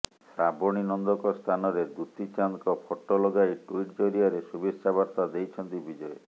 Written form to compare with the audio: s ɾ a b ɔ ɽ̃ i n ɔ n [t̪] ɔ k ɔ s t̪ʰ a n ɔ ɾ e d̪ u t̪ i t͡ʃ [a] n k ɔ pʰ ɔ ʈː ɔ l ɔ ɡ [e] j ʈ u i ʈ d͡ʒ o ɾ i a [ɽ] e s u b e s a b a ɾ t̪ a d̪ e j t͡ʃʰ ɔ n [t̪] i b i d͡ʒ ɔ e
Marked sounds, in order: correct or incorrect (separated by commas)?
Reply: incorrect, correct, incorrect, incorrect, correct